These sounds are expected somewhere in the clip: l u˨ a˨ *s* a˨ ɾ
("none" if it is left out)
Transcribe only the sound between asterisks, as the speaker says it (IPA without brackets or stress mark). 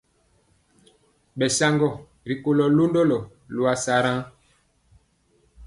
s